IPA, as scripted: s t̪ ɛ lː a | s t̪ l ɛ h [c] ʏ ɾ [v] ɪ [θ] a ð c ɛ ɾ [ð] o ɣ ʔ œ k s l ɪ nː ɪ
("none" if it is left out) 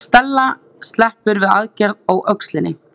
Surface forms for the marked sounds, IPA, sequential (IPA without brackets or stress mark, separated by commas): p, v, ð, ð